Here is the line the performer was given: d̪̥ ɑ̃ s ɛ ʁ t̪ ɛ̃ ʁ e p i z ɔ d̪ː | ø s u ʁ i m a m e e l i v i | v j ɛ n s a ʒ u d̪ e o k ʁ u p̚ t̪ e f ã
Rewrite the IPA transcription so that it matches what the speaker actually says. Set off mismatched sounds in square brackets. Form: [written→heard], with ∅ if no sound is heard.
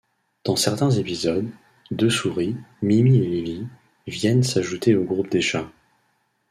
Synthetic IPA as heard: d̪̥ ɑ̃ s ɛ ʁ t̪ ɛ̃ [ʁ→z] e p i z ɔ d̪ː | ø s u ʁ i m [a→i] m [e→i] e l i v i | v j ɛ n s a ʒ u [d̪→t̪] e o [k→ɡ] ʁ u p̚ [t̪→d̪] e [f→ʃ] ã

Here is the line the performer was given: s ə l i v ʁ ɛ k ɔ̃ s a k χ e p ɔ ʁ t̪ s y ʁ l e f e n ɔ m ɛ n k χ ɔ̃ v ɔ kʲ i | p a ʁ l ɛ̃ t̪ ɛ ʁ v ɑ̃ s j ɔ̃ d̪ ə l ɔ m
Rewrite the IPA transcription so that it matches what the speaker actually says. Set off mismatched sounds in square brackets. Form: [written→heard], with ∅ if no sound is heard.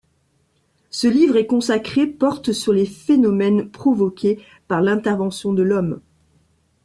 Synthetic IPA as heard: s ə l i v ʁ ɛ k ɔ̃ s a k χ e p ɔ ʁ t̪ s y ʁ l e f e n ɔ m ɛ n [k→p] χ [ɔ̃→ɔ] v ɔ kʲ [i→e] | p a ʁ l ɛ̃ t̪ ɛ ʁ v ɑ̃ s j ɔ̃ d̪ ə l ɔ m

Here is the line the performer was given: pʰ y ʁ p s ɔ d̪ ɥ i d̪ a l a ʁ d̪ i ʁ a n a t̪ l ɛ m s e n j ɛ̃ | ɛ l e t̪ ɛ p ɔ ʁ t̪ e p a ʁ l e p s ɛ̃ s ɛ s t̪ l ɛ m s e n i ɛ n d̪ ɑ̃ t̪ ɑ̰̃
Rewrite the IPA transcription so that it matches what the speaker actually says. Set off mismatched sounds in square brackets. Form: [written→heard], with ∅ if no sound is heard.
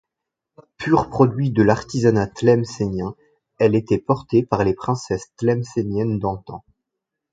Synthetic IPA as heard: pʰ y ʁ p [s→χ] ɔ d̪ ɥ i d̪ [a→ə] l a ʁ [d̪→t̪] i [ʁ→z] a n a t̪ l ɛ m s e n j ɛ̃ | ɛ l e t̪ ɛ p ɔ ʁ t̪ e p a ʁ l e p [s→χ] ɛ̃ s ɛ s t̪ l ɛ m s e n [i→j] ɛ n d̪ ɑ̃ t̪ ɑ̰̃

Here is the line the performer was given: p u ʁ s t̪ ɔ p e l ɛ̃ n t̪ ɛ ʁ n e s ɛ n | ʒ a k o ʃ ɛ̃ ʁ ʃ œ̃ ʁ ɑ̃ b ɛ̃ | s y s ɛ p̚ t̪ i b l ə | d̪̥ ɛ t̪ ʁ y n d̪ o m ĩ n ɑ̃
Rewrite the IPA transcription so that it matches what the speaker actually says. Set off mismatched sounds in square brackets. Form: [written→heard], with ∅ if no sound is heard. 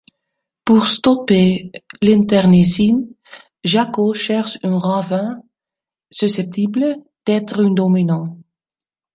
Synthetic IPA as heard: p u ʁ s t̪ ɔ p e l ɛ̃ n t̪ ɛ ʁ n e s [ɛ→i] n | ʒ a k o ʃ [ɛ̃→ɛ] ʁ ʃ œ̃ ʁ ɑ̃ [b→v] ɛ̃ | s y s ɛ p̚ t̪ i b l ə | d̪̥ ɛ t̪ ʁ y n d̪ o m [ĩ→i] n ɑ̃

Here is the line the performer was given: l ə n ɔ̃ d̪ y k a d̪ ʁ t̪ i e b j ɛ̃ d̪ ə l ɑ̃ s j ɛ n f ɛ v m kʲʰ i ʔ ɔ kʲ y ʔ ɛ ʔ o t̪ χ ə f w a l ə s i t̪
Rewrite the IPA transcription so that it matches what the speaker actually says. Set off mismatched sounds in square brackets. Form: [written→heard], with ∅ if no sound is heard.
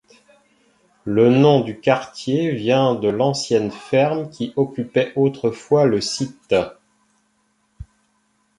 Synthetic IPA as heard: l ə n ɔ̃ d̪ y k a [d̪→∅] ʁ t̪ [i→j] e [b→v] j ɛ̃ d̪ ə l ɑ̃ s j ɛ n f ɛ [v→ʁ] m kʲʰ i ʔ ɔ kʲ y [ʔ→p] ɛ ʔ o t̪ χ ə f w a l ə s i t̪

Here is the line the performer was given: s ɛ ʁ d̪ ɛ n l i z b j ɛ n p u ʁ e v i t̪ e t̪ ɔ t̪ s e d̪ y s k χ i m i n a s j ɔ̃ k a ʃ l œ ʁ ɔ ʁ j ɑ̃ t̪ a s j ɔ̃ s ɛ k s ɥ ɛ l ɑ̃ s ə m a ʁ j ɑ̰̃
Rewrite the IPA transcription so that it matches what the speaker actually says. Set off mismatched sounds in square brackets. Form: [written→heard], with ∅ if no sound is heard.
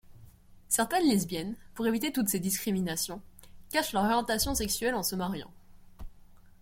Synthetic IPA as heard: s ɛ ʁ [d̪→t̪] ɛ n l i z b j ɛ n p u ʁ e v i t̪ e t̪ [ɔ→u] t̪ s e d̪ [y→i] s k χ i m i n a s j ɔ̃ k a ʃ l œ ʁ ɔ ʁ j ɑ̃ t̪ a s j ɔ̃ s ɛ k s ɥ ɛ l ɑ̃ s ə m a ʁ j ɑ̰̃

